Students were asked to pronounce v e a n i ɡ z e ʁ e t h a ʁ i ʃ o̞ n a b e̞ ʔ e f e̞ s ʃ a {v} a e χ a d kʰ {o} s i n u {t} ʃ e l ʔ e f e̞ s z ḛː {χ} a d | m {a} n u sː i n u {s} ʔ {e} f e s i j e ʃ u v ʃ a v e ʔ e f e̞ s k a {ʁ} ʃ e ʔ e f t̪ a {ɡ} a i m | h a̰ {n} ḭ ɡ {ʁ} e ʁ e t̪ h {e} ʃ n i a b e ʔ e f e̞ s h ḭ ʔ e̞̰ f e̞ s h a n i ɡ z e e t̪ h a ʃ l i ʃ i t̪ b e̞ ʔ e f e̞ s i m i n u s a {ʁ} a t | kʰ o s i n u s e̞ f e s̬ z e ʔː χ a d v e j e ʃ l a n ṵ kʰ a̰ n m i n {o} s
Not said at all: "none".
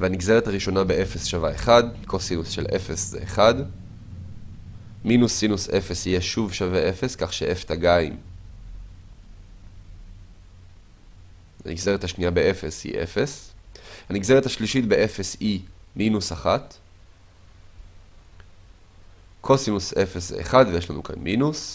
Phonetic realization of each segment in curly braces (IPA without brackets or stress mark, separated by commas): v, o, s, χ, i, s, e, χ, ɡ, n, z, a, χ, u